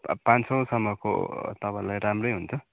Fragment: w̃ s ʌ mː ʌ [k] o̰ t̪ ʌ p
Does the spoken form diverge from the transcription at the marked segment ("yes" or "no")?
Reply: no